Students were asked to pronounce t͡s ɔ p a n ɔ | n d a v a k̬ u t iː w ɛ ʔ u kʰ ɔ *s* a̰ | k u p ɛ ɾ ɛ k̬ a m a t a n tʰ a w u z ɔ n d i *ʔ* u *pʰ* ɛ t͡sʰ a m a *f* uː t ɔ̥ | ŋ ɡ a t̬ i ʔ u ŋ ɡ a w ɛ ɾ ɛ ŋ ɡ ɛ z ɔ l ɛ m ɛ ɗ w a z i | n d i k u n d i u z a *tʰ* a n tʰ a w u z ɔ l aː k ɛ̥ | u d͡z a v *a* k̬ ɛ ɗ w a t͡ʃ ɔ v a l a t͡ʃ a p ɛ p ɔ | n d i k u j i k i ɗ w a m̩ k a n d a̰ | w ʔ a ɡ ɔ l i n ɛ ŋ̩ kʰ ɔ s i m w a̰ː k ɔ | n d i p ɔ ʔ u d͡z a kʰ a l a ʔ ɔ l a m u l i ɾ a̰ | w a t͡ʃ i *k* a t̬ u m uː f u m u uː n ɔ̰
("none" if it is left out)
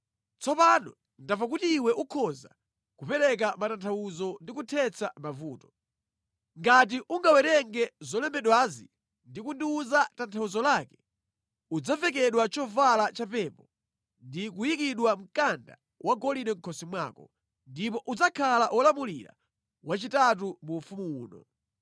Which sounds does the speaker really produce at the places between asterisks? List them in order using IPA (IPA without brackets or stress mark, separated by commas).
z, k, tʰ, v, t, ɛ, t